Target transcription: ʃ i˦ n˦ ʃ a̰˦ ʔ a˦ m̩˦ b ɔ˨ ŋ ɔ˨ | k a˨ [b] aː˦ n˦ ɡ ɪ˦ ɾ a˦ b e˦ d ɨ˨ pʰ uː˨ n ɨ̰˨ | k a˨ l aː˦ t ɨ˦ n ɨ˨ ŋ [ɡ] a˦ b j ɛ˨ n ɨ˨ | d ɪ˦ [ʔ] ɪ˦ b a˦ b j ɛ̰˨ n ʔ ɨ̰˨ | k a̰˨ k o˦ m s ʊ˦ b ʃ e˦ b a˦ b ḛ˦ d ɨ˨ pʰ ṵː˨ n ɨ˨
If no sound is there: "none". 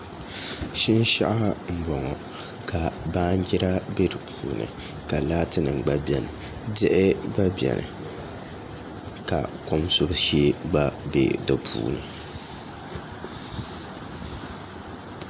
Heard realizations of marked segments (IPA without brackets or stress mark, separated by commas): b, ɡ͡b, ʔ